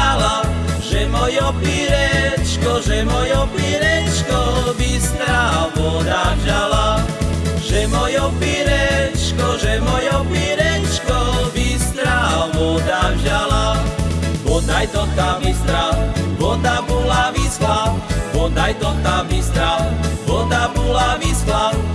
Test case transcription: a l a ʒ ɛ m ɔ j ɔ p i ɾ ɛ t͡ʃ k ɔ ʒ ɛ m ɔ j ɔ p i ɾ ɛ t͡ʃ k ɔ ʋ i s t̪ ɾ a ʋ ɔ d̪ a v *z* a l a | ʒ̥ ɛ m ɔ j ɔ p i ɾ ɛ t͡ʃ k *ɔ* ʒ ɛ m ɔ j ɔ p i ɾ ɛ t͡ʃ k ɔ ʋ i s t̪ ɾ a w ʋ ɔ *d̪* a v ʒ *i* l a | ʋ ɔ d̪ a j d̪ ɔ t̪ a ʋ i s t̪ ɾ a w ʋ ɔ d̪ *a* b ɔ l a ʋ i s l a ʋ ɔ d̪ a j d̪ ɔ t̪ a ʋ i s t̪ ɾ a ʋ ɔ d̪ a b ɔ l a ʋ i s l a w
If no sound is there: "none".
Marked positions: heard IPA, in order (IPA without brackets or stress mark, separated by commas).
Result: ʒ, ɔ, d̪, a, a